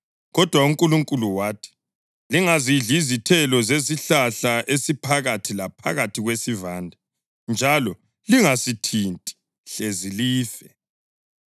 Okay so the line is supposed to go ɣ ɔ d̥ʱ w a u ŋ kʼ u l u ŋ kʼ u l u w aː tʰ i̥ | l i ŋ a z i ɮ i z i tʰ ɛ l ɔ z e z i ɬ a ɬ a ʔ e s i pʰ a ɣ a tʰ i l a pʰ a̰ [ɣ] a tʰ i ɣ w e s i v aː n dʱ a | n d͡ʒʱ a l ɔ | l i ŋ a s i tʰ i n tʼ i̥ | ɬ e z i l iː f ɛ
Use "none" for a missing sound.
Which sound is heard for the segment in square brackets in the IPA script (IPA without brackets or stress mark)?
ɣ